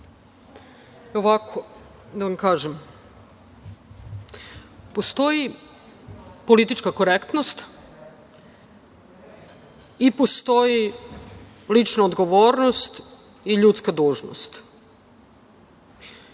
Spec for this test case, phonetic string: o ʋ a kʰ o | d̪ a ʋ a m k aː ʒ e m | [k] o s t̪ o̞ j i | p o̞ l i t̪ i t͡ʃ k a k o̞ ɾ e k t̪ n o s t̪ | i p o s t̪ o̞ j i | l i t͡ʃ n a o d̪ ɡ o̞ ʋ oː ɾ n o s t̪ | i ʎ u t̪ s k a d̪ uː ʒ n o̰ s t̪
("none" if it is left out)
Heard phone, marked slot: p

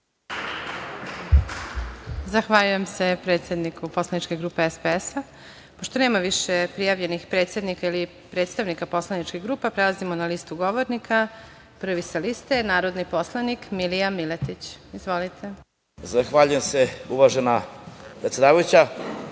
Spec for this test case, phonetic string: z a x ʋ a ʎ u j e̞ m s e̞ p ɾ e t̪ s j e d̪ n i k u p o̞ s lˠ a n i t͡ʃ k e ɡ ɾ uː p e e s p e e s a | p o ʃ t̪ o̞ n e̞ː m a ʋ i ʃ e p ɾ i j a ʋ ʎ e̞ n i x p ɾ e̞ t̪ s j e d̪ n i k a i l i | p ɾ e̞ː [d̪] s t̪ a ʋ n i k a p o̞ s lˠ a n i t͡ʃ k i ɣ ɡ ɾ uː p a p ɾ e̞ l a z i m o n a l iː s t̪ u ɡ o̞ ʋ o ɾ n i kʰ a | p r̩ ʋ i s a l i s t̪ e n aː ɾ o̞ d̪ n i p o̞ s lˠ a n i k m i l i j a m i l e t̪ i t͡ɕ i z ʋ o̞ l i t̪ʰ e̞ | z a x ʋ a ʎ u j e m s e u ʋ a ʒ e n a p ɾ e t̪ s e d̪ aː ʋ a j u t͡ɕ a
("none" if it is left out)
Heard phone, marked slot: t̪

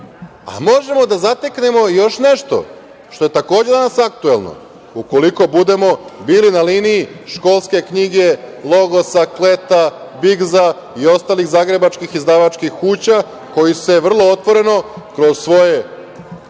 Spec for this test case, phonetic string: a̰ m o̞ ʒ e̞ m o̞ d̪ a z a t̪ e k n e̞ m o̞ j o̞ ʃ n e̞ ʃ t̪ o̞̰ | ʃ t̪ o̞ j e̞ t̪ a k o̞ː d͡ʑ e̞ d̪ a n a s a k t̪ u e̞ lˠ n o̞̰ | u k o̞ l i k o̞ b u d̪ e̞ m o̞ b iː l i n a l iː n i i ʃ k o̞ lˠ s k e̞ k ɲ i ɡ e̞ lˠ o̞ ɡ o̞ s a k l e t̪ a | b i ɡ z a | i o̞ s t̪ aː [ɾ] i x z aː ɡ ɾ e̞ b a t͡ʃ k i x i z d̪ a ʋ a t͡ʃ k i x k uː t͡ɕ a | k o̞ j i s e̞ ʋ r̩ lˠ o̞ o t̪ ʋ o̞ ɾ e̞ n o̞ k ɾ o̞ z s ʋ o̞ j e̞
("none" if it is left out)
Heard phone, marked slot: l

